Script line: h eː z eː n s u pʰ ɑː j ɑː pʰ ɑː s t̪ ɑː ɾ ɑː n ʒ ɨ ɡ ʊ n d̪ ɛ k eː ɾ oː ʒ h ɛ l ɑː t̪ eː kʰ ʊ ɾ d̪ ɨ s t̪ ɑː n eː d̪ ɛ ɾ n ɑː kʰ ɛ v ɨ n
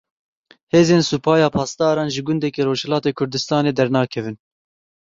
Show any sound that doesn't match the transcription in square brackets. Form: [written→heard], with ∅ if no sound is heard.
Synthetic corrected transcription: h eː z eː n s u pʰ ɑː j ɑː pʰ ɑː s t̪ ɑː ɾ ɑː n ʒ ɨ ɡ ʊ n d̪ ɛ k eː ɾ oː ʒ h ɛ l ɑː t̪ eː kʰ ʊ ɾ d̪ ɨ s t̪ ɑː n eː d̪ ɛ ɾ n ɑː kʰ ɛ v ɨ n